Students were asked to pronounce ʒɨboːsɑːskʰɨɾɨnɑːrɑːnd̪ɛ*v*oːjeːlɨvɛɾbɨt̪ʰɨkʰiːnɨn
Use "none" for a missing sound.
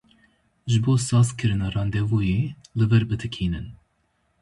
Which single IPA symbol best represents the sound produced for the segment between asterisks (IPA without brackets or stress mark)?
v